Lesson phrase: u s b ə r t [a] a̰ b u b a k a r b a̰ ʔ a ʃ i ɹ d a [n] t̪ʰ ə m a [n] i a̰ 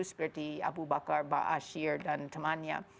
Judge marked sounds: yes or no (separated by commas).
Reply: no, yes, yes